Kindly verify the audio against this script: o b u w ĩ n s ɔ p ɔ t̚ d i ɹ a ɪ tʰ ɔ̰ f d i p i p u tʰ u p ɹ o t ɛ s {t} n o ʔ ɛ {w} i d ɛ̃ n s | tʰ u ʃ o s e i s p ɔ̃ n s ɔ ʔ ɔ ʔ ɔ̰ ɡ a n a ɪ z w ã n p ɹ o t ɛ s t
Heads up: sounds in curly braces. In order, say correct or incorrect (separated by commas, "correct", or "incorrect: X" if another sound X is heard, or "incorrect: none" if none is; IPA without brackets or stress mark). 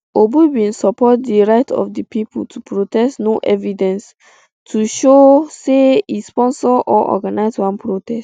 correct, incorrect: v